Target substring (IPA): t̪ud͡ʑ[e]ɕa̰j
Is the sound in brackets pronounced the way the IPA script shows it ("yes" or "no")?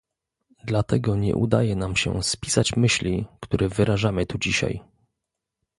no